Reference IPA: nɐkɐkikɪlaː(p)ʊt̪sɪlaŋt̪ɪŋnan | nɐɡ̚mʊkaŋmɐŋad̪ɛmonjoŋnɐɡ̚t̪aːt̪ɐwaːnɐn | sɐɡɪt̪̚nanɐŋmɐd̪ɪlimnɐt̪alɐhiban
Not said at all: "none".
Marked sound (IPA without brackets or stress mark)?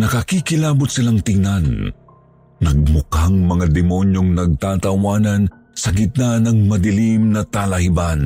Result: b